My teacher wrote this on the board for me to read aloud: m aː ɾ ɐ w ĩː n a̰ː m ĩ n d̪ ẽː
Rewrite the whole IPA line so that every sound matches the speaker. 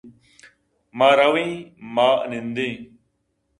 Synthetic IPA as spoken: m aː ɾ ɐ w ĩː m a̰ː n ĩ n d̪ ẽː